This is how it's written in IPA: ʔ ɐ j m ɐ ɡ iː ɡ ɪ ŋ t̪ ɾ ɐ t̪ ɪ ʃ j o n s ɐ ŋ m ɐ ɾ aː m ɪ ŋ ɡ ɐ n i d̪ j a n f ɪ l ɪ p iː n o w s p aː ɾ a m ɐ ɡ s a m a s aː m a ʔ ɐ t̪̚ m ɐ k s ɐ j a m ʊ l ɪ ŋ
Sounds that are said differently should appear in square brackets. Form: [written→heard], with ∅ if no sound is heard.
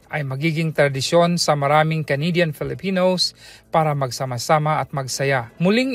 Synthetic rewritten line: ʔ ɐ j m ɐ ɡ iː ɡ ɪ ŋ t̪ ɾ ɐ [t̪→d̪] ɪ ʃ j o n s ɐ [ŋ→∅] m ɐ ɾ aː m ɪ ŋ [ɡ→k] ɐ n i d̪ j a n f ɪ l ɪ p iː n o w s p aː ɾ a m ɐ ɡ s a m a s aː m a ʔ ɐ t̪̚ m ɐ [k→ɡ] s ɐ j a m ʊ l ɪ ŋ